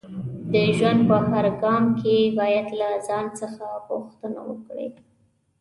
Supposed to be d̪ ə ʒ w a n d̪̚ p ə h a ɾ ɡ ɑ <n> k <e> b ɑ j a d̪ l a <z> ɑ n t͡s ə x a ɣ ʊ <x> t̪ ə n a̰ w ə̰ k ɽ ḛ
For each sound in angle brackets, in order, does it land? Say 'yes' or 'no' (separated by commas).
no, yes, yes, yes